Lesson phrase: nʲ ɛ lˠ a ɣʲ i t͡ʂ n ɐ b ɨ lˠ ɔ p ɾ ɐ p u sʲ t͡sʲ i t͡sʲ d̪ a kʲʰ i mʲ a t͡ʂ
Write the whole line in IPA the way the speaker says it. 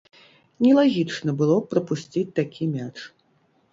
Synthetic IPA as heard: nʲ ɛ lˠ a ɣʲ i t͡ʂ n ɐ b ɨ lˠ ɔ p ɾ ɐ p u sʲ t͡sʲ i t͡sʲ t̪ a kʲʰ i mʲ a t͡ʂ